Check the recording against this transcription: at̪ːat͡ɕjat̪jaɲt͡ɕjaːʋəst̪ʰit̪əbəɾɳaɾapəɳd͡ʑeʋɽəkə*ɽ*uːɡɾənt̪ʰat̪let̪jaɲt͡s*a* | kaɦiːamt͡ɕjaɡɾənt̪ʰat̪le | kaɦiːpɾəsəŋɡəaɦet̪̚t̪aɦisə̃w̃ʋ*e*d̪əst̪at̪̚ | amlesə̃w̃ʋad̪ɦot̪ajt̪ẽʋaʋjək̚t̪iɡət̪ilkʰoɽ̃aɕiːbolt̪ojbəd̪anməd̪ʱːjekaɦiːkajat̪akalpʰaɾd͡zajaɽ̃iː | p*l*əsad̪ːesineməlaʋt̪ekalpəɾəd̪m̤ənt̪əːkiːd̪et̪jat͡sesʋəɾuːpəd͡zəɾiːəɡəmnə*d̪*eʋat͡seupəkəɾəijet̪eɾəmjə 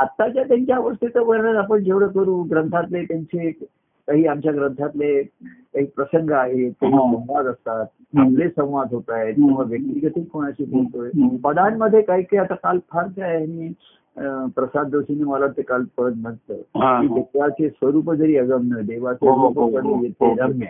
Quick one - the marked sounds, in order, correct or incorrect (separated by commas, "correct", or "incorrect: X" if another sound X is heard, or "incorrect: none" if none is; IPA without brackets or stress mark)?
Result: incorrect: ɾ, incorrect: e, incorrect: a, incorrect: ɾ, correct